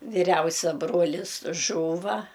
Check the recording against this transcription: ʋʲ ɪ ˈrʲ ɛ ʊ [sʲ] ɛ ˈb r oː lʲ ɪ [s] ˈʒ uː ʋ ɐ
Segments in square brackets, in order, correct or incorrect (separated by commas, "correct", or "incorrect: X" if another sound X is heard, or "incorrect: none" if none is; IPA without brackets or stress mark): correct, correct